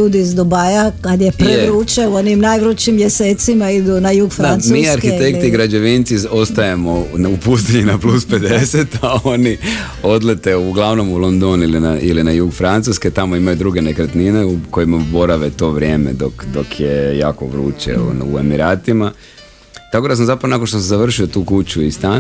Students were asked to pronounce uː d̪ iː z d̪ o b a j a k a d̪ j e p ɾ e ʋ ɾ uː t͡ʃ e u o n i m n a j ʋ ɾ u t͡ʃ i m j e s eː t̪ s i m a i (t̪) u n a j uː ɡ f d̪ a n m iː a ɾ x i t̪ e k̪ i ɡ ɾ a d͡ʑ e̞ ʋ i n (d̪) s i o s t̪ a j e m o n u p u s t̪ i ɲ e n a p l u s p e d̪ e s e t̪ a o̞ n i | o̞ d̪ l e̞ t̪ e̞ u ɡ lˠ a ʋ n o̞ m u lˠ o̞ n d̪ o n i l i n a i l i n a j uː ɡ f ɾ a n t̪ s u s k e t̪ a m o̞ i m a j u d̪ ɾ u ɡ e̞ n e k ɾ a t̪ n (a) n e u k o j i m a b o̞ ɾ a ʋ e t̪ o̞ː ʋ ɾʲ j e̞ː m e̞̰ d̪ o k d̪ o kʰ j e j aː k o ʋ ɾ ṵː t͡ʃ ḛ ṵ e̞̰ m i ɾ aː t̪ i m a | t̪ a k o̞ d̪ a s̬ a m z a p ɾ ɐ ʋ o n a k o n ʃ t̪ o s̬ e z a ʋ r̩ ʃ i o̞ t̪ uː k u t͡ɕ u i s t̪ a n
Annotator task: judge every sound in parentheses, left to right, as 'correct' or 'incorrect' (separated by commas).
incorrect, incorrect, incorrect